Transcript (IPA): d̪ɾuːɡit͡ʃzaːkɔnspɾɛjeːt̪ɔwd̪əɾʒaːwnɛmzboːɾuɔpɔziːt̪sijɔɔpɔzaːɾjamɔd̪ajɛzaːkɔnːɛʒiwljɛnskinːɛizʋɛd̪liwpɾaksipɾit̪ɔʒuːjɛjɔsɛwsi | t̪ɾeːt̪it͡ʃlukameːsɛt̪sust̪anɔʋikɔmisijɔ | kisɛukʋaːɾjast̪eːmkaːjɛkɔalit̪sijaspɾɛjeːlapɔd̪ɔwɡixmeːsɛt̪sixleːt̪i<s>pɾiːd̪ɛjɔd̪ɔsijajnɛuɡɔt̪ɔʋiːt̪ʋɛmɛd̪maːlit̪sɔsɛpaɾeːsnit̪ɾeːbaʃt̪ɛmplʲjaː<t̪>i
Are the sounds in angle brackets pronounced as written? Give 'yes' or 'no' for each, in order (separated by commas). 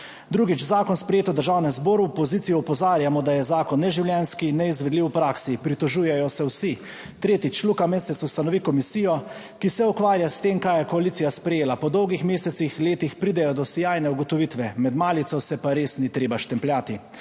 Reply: no, yes